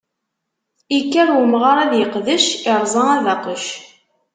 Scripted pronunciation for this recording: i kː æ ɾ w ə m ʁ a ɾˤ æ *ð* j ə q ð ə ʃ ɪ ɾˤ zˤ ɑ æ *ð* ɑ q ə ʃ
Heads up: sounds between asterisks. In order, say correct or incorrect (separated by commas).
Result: correct, correct